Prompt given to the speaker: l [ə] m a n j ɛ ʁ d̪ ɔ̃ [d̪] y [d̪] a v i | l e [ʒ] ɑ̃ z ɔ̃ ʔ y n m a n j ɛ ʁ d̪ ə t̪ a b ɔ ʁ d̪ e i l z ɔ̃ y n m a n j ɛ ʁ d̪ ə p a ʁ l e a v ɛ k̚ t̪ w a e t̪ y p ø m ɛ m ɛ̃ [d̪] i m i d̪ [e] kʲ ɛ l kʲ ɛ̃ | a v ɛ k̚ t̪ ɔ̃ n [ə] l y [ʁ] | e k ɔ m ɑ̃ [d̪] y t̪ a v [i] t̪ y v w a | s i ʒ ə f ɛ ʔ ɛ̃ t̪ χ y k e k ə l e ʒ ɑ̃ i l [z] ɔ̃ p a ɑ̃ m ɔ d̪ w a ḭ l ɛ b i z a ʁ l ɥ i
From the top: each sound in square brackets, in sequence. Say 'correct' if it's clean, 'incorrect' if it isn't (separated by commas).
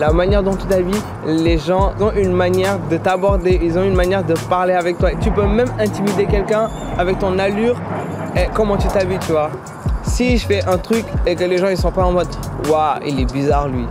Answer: incorrect, incorrect, incorrect, correct, incorrect, correct, incorrect, correct, incorrect, correct, incorrect